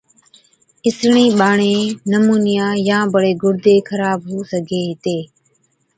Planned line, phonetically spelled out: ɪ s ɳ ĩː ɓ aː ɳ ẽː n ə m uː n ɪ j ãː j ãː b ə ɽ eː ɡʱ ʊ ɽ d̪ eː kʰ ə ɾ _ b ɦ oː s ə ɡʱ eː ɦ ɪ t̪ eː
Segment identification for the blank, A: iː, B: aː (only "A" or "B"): B